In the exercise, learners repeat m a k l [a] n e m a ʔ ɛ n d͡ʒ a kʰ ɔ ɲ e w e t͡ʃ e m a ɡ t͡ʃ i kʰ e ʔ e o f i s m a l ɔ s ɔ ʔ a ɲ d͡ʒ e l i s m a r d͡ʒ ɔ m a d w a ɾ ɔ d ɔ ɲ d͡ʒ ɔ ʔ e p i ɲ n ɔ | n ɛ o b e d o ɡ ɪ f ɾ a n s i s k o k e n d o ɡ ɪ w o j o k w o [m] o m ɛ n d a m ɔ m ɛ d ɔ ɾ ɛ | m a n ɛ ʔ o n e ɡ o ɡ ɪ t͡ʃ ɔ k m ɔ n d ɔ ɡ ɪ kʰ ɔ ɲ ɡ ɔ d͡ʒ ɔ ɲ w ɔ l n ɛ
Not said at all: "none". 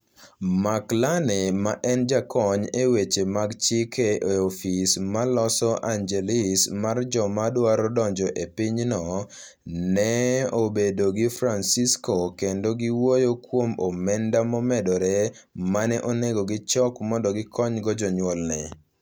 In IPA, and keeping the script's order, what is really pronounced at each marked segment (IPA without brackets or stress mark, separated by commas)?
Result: a, m